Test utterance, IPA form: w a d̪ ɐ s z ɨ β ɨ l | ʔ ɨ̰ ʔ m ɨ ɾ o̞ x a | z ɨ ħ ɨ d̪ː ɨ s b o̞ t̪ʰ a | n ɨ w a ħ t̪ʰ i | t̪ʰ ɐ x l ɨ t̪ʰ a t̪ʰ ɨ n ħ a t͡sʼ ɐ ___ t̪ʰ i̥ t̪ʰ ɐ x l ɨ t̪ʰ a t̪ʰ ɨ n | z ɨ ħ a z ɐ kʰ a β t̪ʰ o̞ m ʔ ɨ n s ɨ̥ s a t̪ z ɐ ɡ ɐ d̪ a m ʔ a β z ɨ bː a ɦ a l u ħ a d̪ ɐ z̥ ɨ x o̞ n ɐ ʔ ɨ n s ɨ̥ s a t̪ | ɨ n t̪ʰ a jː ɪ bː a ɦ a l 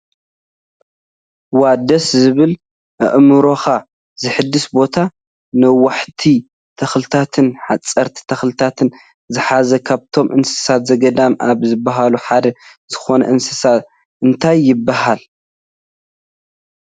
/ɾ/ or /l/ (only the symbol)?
ɾ